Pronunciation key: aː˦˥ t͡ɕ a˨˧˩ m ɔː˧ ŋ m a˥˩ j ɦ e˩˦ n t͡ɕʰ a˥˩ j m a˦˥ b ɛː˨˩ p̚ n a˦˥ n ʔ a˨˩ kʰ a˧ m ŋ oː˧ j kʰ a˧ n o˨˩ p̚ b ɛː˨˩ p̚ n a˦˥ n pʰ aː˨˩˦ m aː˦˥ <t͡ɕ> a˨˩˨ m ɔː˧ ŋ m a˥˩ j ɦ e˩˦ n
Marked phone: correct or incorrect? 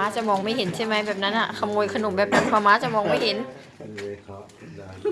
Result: correct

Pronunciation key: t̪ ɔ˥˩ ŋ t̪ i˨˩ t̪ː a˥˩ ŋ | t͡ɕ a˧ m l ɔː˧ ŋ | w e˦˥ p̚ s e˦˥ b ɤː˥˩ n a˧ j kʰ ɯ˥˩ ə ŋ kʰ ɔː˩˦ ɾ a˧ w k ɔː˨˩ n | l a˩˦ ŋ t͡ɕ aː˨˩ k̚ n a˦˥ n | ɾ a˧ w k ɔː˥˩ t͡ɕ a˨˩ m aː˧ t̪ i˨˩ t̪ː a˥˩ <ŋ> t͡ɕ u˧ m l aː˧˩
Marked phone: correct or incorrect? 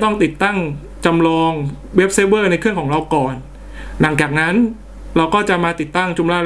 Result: correct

